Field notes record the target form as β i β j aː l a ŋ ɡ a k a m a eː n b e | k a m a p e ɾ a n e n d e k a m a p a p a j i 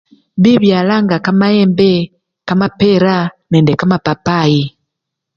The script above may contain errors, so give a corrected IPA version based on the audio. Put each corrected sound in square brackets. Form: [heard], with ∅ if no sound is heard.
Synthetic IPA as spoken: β i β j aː l a ŋ ɡ a k a m a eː [m] b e | k a m a p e ɾ a n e n d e k a m a p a p a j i